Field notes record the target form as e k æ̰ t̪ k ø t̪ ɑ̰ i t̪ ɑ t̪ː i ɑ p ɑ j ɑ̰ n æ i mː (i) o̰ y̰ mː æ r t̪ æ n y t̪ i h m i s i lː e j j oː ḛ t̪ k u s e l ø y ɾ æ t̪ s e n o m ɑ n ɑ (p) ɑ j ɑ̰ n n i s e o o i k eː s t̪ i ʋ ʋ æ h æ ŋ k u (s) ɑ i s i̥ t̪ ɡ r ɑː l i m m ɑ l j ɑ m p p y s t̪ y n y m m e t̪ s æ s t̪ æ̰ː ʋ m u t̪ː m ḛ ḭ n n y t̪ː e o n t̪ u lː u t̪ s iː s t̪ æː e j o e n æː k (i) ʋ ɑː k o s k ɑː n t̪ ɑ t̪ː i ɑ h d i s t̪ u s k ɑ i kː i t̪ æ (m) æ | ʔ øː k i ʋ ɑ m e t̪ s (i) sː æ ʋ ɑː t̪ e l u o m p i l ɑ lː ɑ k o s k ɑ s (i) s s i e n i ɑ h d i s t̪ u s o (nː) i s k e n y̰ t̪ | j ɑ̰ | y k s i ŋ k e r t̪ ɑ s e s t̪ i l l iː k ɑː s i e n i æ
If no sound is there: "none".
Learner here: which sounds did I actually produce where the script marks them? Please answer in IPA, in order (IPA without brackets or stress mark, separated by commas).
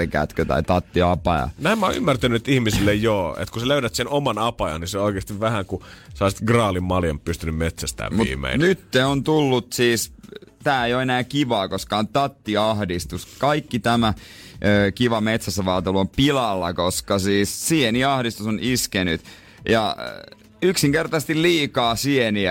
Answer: æ, p, s, i, m, æ, iː, n